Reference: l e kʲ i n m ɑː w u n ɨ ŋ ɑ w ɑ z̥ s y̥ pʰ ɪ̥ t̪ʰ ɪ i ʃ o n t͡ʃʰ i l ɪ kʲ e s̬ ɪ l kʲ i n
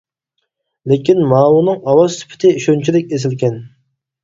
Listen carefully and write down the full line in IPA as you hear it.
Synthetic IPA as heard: l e kʲ i n m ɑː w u n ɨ ŋ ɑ w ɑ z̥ s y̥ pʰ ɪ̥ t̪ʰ ɪ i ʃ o n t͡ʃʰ i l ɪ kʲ e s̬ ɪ l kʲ ɛ n